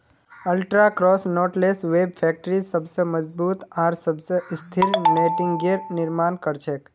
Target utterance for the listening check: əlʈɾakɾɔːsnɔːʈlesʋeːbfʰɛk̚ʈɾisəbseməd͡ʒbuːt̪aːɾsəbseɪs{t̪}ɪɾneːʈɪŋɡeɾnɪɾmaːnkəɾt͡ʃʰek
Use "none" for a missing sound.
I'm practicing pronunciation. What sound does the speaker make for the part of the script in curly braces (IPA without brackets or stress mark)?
t̪ʰ